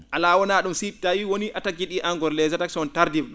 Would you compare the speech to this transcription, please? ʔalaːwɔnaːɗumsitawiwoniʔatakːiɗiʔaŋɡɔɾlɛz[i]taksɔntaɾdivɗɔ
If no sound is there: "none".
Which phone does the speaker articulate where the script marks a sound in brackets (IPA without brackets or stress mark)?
a